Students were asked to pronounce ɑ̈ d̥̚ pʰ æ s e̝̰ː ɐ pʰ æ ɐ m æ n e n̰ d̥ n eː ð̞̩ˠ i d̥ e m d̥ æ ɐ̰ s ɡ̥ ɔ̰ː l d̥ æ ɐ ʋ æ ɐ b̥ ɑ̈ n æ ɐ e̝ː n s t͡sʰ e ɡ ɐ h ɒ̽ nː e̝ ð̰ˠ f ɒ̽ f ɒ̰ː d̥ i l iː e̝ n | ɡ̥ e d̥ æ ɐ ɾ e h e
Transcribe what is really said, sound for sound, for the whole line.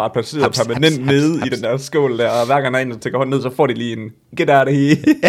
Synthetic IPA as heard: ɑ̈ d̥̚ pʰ æ s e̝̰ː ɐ pʰ æ ɐ m æ n e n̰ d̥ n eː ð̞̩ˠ i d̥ e n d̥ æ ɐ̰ s ɡ̥ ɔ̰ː l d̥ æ ɐ ʋ æ ɐ ɡ̥ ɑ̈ ŋ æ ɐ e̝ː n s t͡sʰ e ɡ ɐ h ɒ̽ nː e̝ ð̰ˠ s ɒ̽ f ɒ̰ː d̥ i l iː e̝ n | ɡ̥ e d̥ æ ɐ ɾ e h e